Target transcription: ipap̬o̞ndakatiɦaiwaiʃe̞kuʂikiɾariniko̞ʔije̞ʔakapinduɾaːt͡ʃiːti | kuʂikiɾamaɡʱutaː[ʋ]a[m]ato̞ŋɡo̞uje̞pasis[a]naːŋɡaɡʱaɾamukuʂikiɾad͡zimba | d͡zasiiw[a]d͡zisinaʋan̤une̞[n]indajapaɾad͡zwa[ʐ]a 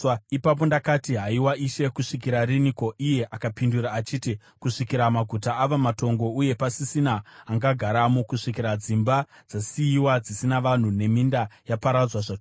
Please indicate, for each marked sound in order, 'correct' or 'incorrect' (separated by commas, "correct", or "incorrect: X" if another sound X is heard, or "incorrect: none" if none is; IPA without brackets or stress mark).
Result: correct, correct, incorrect: i, correct, incorrect: m, correct